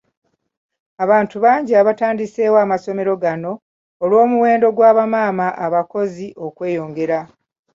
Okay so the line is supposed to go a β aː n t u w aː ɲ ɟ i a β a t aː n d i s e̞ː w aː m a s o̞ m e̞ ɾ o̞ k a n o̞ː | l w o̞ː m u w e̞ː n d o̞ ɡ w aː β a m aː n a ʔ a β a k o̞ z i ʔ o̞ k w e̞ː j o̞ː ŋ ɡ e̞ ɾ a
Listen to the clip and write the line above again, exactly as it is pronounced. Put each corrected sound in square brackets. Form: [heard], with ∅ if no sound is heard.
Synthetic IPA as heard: a β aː n t u [β] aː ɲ ɟ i a β a t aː n d i s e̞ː w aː m a s o̞ m e̞ ɾ o̞ [ɡ] a n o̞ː | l w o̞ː m u w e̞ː n d o̞ ɡ w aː β a m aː [m] a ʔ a β a k o̞ z i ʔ o̞ k w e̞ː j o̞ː ŋ ɡ e̞ ɾ a